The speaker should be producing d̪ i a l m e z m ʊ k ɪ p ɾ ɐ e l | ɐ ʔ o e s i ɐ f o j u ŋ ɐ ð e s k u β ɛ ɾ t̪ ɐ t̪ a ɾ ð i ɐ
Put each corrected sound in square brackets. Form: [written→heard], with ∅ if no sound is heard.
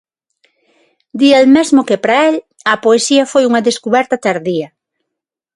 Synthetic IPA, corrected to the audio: d̪ i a l m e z m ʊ k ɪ p ɾ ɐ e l | ɐ [ʔ→p] o e s i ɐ f o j u ŋ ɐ ð e s k u β ɛ ɾ t̪ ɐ t̪ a ɾ ð i ɐ